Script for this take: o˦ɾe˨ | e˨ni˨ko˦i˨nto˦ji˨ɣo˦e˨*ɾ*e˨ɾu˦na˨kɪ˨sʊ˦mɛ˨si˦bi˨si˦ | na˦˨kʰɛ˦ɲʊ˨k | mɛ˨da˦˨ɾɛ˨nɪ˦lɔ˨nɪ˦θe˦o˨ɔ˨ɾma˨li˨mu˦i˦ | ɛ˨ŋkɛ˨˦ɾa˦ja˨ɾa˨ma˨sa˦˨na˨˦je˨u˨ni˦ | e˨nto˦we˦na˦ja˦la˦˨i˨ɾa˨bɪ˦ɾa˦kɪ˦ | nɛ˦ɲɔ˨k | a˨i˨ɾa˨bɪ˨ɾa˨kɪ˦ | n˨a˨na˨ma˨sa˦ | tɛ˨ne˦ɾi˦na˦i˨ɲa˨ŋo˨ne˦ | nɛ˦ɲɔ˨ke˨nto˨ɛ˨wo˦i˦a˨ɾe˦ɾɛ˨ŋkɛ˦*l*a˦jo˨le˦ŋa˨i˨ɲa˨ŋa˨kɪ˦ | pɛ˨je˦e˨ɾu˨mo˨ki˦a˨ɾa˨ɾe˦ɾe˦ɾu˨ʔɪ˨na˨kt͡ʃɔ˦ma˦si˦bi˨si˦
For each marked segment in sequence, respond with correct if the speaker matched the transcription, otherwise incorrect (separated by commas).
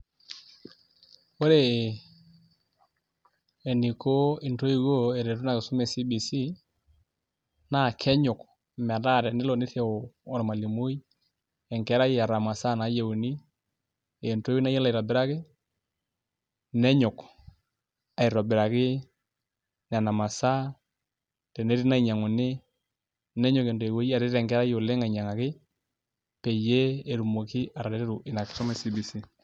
correct, incorrect